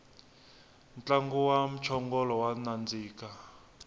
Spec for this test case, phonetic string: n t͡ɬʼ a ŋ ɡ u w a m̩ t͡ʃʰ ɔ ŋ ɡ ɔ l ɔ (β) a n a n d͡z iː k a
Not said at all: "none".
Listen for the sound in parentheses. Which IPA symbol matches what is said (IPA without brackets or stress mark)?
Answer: w